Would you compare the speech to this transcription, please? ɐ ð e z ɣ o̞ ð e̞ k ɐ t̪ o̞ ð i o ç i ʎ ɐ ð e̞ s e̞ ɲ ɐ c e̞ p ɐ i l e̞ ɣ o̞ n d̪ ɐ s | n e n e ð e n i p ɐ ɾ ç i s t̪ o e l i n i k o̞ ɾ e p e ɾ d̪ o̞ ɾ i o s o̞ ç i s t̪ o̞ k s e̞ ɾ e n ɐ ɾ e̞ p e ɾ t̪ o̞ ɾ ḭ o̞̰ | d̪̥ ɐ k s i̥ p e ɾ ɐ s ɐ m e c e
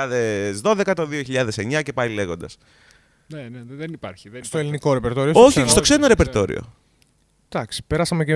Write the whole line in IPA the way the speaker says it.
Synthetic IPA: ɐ ð e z ð o̞ ð e̞ k ɐ t̪ o̞ ð i o ç i ʎ ɐ ð e̞ s e̞ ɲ ɐ c e̞ p ɐ i l e̞ ɣ o̞ n d̪ ɐ s | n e n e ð e n i p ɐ ɾ ç i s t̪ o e l i n i k o̞ ɾ e p e ɾ t̪ o̞ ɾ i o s o̞ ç i s t̪ o̞ k s e̞ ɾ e n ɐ ɾ e̞ p e ɾ t̪ o̞ ɾ ḭ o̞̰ | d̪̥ ɐ k s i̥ p e ɾ ɐ s ɐ m e c e